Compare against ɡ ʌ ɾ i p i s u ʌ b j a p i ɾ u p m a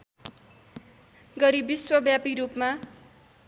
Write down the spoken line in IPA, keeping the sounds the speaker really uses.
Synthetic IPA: ɡ ʌ ɾ i b i s w ʌ b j a p i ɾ u p m a